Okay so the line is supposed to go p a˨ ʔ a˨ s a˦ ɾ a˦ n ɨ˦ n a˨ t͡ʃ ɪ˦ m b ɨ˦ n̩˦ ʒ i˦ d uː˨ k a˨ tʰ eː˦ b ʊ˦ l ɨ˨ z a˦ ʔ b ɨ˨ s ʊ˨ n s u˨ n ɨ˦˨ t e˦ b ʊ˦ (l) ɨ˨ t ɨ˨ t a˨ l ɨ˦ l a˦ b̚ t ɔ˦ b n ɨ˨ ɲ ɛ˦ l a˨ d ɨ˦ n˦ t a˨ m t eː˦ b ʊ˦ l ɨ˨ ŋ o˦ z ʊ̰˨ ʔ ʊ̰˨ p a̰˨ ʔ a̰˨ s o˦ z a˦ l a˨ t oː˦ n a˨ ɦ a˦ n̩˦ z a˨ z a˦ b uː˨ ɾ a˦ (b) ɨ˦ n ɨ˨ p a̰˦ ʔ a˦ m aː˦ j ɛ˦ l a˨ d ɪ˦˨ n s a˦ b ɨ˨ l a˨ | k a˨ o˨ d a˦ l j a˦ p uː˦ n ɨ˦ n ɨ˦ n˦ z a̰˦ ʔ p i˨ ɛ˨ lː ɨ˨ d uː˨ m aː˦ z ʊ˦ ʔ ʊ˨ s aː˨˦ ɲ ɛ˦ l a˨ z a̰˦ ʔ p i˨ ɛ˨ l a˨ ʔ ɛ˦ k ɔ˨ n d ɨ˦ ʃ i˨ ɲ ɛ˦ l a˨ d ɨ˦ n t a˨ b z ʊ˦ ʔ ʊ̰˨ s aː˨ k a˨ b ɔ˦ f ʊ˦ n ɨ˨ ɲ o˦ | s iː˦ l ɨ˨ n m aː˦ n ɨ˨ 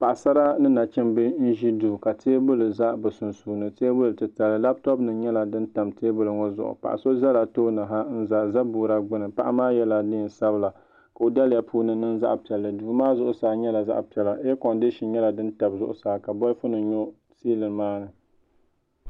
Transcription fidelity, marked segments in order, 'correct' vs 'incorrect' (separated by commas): correct, incorrect